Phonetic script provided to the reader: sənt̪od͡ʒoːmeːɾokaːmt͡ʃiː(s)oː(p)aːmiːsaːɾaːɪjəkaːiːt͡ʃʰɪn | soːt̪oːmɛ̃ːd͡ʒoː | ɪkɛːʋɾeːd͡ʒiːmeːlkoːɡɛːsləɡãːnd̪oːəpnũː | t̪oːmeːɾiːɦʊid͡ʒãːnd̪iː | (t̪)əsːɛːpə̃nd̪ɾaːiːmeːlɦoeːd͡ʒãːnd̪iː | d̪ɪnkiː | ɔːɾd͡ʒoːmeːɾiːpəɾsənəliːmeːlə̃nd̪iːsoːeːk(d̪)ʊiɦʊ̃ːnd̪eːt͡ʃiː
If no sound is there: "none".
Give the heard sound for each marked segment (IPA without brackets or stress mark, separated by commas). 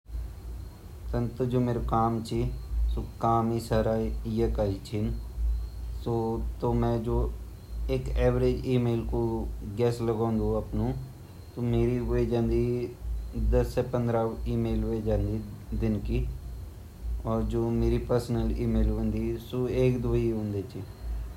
s, k, d̪, d̪